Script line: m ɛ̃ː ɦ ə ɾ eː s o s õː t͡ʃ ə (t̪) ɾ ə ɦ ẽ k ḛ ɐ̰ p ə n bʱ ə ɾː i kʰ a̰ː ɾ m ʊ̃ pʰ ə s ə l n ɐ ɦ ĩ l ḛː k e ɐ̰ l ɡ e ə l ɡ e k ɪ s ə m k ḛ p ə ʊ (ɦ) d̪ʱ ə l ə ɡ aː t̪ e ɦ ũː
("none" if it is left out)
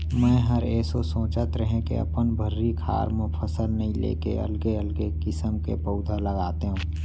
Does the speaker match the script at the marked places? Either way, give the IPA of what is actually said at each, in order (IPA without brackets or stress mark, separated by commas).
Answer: t̪, none